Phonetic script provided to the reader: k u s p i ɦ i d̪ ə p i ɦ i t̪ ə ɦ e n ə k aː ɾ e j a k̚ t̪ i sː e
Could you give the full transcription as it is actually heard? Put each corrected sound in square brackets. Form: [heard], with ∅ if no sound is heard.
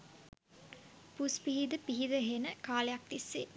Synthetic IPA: [p] u s p i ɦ i d̪ ə p i ɦ i [d̪] ə ɦ e n ə k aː [l] e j a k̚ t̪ i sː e